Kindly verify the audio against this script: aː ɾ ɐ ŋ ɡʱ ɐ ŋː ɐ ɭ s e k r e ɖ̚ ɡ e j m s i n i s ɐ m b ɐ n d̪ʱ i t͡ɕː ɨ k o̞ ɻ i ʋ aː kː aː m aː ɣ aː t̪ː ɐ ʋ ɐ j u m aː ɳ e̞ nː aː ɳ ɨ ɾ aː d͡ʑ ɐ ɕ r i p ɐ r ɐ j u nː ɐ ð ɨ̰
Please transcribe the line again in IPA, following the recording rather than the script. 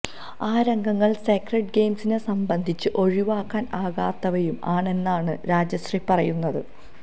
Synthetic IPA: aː ɾ ɐ ŋ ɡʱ ɐ ŋː ɐ ɭ s e k r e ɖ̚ ɡ e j m s i n e s ɐ m b ɐ n d̪ʱ i t͡ɕː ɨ ʔ o̞ ɻ i ʋ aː kː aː n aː ɣ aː t̪ː ɐ ʋ ɐ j u m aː ɳ e̞ nː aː ɳ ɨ ɾ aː d͡ʑ ɐ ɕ r i p ɐ r ɐ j u nː ɐ ð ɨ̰

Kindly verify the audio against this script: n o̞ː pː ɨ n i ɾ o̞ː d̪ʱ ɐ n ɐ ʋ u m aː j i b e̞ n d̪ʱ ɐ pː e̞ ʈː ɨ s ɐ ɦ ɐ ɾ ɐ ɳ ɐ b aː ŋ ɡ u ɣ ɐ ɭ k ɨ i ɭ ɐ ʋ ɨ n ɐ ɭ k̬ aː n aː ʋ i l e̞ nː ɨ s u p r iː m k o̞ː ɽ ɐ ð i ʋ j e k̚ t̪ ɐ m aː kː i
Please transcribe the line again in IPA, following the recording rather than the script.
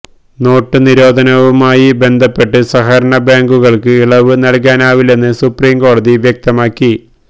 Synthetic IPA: n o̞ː ʈː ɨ n i ɾ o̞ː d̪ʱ ɐ n ɐ ʋ u m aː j i b e̞ n d̪ʱ ɐ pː e̞ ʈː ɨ s ɐ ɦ ɐ ɾ ɐ ɳ ɐ b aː ŋ ɡ u ɣ ɐ ɭ k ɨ i ɭ ɐ ʋ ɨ n ɐ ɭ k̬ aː n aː ʋ i l e̞ nː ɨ s u p r iː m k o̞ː ɽ ɐ ð i ʋ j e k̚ t̪ ɐ m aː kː i

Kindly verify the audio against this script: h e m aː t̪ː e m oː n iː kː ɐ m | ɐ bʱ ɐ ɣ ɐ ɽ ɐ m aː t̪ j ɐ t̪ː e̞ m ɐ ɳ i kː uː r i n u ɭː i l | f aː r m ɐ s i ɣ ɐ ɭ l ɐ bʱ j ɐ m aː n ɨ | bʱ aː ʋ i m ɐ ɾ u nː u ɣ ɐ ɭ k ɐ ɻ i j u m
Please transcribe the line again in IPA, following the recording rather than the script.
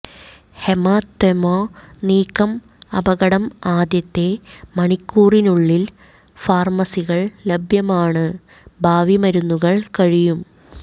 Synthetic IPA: h e m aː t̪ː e m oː n iː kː ɐ m | ɐ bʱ ɐ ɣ ɐ ɽ ɐ m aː d̪ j ɐ t̪ː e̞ m ɐ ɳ i kː uː r i n u ɭː i l | f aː r m ɐ s i ɣ ɐ ɭ l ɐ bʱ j ɐ m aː ɳ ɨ | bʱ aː ʋ i m ɐ ɾ u nː u ɣ ɐ ɭ k ɐ ɻ i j u m

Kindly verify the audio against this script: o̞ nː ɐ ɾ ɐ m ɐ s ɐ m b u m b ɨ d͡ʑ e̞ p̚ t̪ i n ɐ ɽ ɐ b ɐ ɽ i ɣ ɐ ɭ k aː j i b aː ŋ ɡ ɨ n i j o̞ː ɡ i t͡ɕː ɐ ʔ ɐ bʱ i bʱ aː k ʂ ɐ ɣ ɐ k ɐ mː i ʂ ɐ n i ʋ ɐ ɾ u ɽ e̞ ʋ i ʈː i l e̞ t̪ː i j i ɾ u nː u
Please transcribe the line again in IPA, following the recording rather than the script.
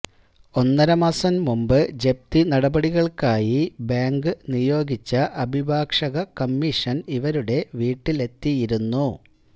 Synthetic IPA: o̞ nː ɐ ɾ ɐ m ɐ s ɐ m m u m b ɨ d͡ʑ e̞ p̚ t̪ i n ɐ ɽ ɐ b ɐ ɽ i ɣ ɐ ɭ k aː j i b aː ŋ ɡ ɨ n i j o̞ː ɡ i t͡ɕː ɐ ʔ ɐ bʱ i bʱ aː k ʂ ɐ ɣ ɐ k ɐ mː i ʂ ɐ n i ʋ ɐ ɾ u ɽ e̞ ʋ iː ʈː i l e̞ t̪ː i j i ɾ u nː u

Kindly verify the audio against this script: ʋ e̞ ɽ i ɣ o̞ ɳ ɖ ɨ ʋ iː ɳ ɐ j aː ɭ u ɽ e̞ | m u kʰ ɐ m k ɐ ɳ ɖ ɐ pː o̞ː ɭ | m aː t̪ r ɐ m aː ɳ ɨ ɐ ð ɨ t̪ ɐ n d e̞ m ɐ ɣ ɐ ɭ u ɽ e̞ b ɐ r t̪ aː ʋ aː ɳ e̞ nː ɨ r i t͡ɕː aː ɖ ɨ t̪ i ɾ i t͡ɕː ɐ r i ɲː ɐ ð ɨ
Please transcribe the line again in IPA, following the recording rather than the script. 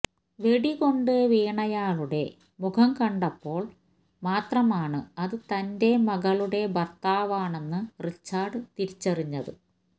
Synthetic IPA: ʋ e̞ ɽ i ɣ o̞ ɳ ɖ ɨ ʋ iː ɳ ɐ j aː ɭ u ɽ e̞ | m u kʰ ɐ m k ɐ ɳ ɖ ɐ pː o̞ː ɭ | m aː t̪ r ɐ m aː ɳ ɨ ɐ ð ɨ t̪ ɐ n d e̞ m ɐ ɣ ɐ ɭ u ɽ e̞ b ɐ r t̪ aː ʋ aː ɳ e̞ nː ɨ r i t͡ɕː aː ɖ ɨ t̪ i ɾ i t͡ɕː ɐ r i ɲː ɐ ð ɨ

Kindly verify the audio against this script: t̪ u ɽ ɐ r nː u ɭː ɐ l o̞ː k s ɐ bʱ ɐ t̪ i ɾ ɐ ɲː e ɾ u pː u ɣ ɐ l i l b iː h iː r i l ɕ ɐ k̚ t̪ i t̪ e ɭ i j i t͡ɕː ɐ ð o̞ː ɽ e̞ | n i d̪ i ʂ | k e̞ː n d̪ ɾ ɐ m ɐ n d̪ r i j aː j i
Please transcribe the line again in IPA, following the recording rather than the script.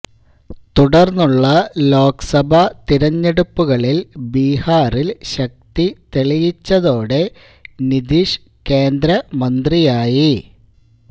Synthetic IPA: t̪ u ɽ ɐ r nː u ɭː ɐ l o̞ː k s ɐ bʱ ɐ t̪ i ɾ ɐ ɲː e ɽ u pː u ɣ ɐ ɭ i l b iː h aː r i l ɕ ɐ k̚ t̪ i t̪ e ɭ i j i t͡ɕː ɐ ð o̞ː ɽ e̞ | n i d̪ i ʂ | k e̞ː n d̪ ɾ ɐ m ɐ n d̪ r i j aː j i

